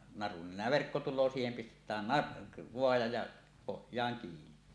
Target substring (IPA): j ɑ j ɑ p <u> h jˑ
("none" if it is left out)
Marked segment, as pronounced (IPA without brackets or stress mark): o